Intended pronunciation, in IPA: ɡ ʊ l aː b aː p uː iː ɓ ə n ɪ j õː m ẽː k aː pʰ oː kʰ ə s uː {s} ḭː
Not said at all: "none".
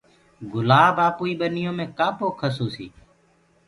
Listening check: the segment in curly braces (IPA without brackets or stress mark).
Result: s